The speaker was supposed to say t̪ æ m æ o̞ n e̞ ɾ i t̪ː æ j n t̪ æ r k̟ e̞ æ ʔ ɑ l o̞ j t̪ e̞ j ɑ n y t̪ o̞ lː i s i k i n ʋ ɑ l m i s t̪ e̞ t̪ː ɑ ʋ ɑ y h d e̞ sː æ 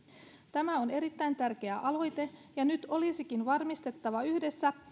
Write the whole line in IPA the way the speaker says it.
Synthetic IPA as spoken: t̪ æ m æ o̞ n e̞ ɾ i t̪ː æ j n t̪ æ r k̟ e̞ æ ʔ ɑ l o̞ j t̪ e̞ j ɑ n y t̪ o̞ l i s i k i n ʋ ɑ r m i s t̪ e̞ t̪ː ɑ ʋ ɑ y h d e̞ sː æ